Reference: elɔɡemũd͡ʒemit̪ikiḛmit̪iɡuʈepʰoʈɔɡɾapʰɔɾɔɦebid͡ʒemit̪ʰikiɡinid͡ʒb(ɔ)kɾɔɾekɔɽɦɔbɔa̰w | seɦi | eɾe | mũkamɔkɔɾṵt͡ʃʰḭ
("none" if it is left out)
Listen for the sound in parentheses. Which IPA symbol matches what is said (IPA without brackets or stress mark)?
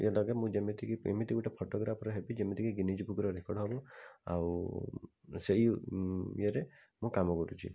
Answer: u